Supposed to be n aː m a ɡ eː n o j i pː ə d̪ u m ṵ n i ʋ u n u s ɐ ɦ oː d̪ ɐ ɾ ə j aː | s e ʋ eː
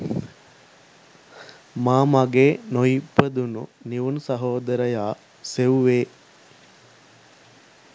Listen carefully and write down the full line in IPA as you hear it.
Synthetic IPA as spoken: m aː m a ɡ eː n o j i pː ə d̪ u n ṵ n i ʋ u n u s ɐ ɦ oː d̪ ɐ ɾ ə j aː | s e ʋ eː